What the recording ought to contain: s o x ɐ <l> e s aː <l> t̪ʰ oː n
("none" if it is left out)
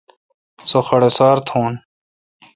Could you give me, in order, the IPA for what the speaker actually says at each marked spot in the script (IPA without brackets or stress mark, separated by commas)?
ɽ, ɾ